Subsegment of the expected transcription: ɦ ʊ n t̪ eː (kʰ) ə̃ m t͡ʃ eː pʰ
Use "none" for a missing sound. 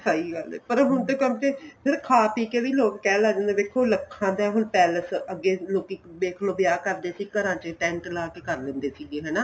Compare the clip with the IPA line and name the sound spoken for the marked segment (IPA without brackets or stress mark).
k